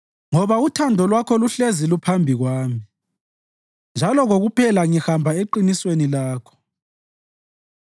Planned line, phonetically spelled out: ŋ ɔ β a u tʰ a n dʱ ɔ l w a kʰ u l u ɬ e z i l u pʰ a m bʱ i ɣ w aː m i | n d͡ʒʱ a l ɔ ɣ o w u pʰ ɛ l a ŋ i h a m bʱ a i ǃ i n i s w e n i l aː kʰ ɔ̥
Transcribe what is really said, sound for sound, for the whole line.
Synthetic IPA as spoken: ŋ ɔ β a u tʰ a n dʱ ɔ l w a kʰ ɔ l u ɬ e z i l u pʰ a m bʱ i ɣ w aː m i | n d͡ʒʱ a l ɔ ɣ o ɣ u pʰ ɛ l a ŋ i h a m bʱ a e ǃ i n i s w e n i l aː kʰ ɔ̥

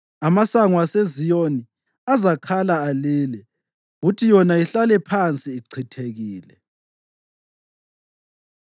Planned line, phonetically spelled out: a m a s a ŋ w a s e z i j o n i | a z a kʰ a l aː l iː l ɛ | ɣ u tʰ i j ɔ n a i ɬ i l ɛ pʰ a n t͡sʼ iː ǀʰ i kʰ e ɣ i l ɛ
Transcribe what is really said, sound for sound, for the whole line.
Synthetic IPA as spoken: a m a s a ŋ w a s e z i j o n i | a z a kʰ a l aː l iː l ɛ | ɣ u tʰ i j ɔ n a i ɬ a l ɛ pʰ a n t͡sʼ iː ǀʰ i tʰ e ɣ iː l ɛ

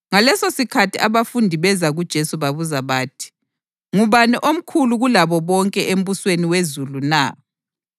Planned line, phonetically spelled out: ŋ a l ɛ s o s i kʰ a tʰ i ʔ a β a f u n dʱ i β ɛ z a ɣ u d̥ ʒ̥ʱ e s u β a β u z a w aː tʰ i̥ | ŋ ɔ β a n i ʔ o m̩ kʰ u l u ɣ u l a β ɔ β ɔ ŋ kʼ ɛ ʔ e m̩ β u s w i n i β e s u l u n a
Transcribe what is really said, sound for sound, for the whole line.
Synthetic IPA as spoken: ŋ a l ɛ s o s i kʰ a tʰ i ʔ a β a f u n dʱ i β ɛ z a ɣ u d̥ ʒ̥ʱ e s u β a β u z a β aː tʰ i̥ | ŋ u β a n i ʔ o m̩ kʰ u l u ɣ u l a β ɔ β ɔ ŋ kʼ ɛ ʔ e m̩ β u s w e n i w e z u l u n a

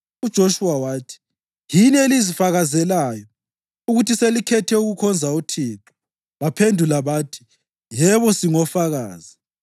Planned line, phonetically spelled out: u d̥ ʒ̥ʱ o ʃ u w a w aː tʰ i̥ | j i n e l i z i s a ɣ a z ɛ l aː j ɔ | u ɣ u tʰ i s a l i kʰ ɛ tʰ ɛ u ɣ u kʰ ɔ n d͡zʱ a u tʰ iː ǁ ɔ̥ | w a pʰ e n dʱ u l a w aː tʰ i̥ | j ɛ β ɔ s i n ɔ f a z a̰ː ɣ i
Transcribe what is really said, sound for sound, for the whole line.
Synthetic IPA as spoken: u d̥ ʒ̥ʱ o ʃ u w a w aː tʰ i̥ | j i n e l i z i f a ɣ a z ɛ l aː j ɔ | u ɣ u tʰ i s e l i kʰ ɛ tʰ ɛ u ɣ u kʰ ɔ n d͡zʱ a u tʰ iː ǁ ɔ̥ | β a pʰ e n dʱ u l a β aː tʰ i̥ | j ɛ β ɔ s i ŋ ɔ f a ɣ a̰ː z i

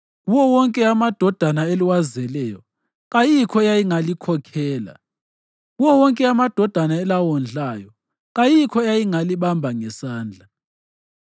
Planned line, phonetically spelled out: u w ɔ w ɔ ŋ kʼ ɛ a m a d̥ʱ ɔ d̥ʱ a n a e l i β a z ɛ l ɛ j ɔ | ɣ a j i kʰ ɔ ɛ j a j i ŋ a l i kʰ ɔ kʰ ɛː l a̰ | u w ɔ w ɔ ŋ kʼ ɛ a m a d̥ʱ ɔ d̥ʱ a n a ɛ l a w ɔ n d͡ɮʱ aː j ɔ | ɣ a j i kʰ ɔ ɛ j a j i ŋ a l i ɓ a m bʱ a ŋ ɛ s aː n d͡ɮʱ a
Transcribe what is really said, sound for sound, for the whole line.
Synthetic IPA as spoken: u w ɔ w ɔ ŋ kʼ ɛ a m a d̥ʱ ɔ d̥ʱ a n a e l i w a z ɛ l ɛ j ɔ | ɣ a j i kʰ ɔ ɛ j a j i ŋ a l i kʰ ɔ kʰ ɛː l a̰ | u w ɔ w ɔ ŋ kʼ ɛ a m a d̥ʱ ɔ d̥ʱ a n a ɛ l a w ɔ n d͡ɮʱ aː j ɔ | ɣ a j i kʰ ɔ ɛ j a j i ŋ a l i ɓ a m bʱ a ŋ ɛ s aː n d͡ɮʱ a

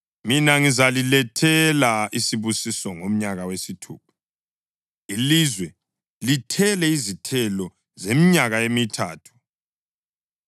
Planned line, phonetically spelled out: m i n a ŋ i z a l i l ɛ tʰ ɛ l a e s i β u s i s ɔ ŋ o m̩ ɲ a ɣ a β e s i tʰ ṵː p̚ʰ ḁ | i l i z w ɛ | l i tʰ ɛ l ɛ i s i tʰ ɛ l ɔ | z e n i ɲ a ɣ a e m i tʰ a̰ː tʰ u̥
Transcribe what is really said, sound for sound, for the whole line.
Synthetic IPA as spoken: m i n a ŋ i z a l i l ɛ tʰ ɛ l a i s i β u s i s ɔ ŋ o m̩ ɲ a ɣ a w e s i tʰ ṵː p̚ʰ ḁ | i l i z w ɛ | l i tʰ ɛ l ɛ i z i tʰ ɛ l ɔ | z e m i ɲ a ɣ a e m i tʰ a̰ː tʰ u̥

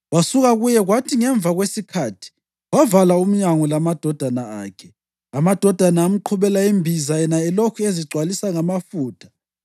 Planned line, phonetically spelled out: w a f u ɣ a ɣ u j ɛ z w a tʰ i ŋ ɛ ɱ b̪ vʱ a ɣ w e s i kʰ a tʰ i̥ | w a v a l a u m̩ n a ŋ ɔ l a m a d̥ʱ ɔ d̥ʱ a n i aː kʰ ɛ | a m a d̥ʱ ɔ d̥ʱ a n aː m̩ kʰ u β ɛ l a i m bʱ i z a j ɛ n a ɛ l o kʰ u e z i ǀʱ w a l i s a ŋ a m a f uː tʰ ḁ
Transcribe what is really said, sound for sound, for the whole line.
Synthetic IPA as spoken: w a s u ɣ a ɣ u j ɛ ɣ w a tʰ i ŋ ɛ ɱ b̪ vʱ a ɣ w e s i kʰ a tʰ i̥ | w a v a l a u m̩ ɲ a ŋ ɔ l a m a d̥ʱ ɔ d̥ʱ a n a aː kʰ ɛ | a m a d̥ʱ ɔ d̥ʱ a n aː m̩ ǃʰ u β ɛ l a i m bʱ i z a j ɛ n a ɛ l o kʰ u e z i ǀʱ w a l i s a ŋ a m a f uː tʰ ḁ

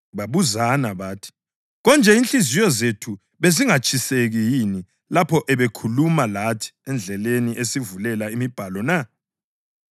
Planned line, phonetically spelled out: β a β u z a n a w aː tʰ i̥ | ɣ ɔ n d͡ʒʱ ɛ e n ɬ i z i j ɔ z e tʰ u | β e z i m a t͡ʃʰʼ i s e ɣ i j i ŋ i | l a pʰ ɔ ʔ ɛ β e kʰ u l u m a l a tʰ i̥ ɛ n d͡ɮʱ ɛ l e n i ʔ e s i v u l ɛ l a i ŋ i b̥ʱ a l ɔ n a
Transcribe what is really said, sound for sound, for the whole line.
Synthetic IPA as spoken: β a β u z a n a β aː tʰ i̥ | ɣ ɔ n d͡ʒʱ ɛ i n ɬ i z i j ɔ z e tʰ u | β e z i ŋ a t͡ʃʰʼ i s e ɣ i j i n i | l a pʰ ɔ ʔ ɛ β e kʰ u l u m a l a tʰ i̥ ɛ n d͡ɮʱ ɛ l e n i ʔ e s i v u l ɛ l a i m i b̥ʱ a l ɔ n a

